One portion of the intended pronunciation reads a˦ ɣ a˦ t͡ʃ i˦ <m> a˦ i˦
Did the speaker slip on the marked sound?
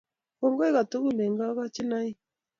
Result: yes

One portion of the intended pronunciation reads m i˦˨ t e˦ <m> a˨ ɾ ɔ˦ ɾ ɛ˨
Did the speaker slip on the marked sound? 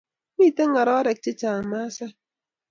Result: yes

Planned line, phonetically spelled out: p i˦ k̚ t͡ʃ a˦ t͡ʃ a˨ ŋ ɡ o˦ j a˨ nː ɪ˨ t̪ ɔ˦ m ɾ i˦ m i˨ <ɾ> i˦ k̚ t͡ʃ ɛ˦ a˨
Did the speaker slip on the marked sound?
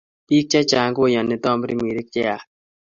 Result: no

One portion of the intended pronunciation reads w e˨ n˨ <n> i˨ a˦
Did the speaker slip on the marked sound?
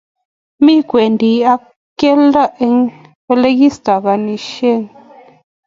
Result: yes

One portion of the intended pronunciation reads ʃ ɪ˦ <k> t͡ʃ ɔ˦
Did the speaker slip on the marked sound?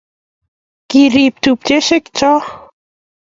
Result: no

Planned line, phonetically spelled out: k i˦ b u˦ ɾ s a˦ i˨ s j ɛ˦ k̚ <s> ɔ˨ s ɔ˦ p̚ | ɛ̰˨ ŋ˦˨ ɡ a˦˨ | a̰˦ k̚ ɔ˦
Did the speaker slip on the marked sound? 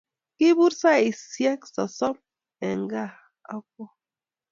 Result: no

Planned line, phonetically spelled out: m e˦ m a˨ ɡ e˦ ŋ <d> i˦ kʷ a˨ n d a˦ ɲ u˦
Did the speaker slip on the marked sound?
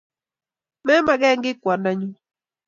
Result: yes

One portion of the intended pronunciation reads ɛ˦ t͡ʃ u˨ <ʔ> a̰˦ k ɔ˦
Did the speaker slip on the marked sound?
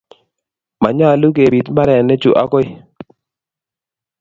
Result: no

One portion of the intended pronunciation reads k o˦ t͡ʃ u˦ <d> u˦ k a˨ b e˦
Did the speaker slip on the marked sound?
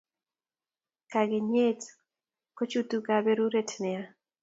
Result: yes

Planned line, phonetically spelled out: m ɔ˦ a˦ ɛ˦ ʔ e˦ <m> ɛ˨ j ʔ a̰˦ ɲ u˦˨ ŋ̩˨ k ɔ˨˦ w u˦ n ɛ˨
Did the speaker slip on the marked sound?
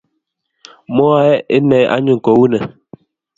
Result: yes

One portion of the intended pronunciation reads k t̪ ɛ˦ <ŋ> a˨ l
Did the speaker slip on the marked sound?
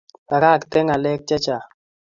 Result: no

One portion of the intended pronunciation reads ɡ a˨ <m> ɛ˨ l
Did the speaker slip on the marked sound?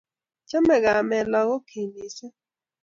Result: no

